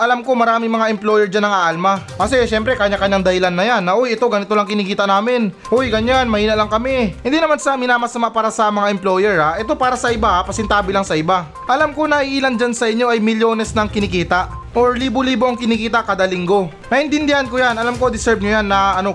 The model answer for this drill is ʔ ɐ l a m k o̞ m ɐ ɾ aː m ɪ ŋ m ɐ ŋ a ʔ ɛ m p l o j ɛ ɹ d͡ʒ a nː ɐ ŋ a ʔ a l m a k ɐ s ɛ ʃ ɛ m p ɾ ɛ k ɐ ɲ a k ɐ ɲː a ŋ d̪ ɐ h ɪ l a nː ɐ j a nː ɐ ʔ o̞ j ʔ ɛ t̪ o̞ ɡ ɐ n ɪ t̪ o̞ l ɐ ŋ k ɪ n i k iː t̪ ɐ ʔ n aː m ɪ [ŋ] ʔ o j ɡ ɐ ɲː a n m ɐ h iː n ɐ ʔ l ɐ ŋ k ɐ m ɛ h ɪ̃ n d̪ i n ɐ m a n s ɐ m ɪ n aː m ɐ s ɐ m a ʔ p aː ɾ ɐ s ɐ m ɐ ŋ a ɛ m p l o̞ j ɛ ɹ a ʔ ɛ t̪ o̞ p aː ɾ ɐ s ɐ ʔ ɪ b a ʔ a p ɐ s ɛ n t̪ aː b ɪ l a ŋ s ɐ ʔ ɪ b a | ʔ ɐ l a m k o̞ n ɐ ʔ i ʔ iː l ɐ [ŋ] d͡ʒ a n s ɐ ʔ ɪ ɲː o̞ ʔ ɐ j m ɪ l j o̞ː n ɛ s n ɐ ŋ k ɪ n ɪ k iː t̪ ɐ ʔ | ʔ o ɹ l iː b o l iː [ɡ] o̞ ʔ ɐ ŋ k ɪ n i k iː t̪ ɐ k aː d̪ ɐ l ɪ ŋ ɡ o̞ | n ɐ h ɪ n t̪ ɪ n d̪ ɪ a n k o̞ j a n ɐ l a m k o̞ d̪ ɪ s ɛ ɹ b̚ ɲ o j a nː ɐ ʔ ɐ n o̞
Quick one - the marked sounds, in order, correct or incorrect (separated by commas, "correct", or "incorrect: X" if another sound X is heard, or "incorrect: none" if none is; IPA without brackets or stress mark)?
incorrect: n, incorrect: n, incorrect: b